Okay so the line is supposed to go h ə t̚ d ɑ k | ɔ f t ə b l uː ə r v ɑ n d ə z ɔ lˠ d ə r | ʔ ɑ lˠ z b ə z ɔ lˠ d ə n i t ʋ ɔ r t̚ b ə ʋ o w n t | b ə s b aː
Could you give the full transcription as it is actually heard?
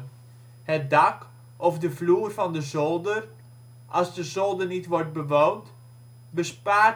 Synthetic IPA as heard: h ə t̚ d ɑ k | ɔ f d ə v l uː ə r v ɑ n d ə z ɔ lˠ d ə r | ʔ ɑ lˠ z d ə z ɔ lˠ d ə n i t ʋ ɔ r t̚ b ə ʋ o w n t | b ə s p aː